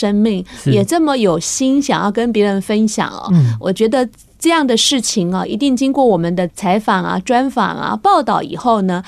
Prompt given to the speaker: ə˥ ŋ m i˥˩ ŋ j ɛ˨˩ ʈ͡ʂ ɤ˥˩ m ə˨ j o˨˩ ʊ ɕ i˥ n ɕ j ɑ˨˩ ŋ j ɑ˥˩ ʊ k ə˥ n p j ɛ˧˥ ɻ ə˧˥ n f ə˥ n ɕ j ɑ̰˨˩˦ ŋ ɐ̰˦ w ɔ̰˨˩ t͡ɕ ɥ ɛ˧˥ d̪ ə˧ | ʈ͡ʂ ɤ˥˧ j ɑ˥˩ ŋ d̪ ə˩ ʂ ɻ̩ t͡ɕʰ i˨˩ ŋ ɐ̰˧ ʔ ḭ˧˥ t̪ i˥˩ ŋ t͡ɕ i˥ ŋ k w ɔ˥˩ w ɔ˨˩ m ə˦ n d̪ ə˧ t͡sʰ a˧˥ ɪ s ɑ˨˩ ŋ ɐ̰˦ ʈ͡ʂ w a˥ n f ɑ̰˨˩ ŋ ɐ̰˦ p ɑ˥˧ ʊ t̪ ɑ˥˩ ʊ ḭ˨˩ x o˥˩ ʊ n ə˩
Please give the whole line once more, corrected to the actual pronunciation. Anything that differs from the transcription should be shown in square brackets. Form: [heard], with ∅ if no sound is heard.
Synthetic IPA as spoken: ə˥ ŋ m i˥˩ ŋ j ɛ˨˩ ʈ͡ʂ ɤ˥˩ m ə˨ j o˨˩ ʊ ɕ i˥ n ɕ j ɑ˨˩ ŋ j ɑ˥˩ ʊ k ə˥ n p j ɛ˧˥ ɻ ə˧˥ n f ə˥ n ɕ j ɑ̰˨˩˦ ŋ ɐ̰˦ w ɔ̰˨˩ t͡ɕ ɥ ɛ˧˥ d̪ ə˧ | ʈ͡ʂ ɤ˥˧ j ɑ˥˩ ŋ d̪ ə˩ ʂ ɻ̩ t͡ɕʰ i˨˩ ŋ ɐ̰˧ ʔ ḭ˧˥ t̪ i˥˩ ŋ t͡ɕ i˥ ŋ k w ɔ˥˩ w ɔ˨˩ m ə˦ n d̪ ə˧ t͡sʰ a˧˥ ɪ [f] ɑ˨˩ ŋ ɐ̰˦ ʈ͡ʂ w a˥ n f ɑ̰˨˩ ŋ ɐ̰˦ p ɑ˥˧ ʊ t̪ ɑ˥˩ ʊ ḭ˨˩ x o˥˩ ʊ n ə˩